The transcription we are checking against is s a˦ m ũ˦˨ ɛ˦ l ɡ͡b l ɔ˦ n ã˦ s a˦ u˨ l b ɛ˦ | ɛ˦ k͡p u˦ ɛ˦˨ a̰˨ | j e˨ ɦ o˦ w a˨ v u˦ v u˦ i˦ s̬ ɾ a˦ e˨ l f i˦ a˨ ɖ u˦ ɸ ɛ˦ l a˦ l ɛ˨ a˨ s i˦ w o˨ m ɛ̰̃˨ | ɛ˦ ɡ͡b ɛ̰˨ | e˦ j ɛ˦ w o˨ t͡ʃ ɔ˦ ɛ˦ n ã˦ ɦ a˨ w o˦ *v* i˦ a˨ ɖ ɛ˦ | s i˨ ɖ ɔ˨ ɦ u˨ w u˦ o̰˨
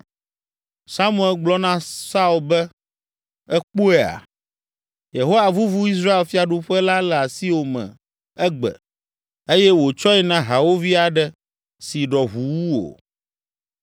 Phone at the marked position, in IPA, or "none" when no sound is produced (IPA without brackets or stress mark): v